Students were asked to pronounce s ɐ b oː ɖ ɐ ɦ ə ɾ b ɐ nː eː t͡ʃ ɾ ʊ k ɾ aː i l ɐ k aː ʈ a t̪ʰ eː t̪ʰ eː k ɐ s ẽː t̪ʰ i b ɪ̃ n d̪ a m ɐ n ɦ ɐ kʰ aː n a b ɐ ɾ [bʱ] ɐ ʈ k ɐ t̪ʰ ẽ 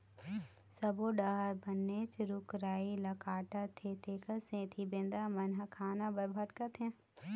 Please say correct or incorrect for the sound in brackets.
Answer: correct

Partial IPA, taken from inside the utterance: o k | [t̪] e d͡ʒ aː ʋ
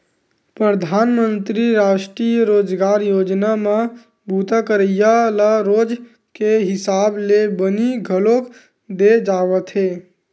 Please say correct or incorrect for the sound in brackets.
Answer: incorrect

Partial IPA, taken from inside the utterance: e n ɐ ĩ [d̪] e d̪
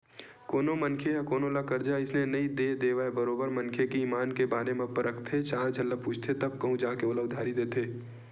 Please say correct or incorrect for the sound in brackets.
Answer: correct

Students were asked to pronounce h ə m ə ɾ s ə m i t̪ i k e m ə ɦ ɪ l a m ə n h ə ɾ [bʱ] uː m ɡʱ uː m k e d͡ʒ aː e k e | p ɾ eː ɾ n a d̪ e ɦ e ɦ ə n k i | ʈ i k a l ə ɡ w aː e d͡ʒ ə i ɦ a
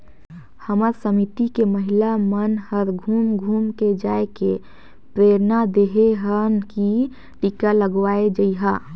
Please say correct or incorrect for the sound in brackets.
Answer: incorrect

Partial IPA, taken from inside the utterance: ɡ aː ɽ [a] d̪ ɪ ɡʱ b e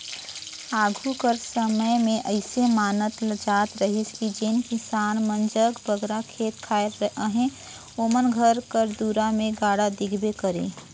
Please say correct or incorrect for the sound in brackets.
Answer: correct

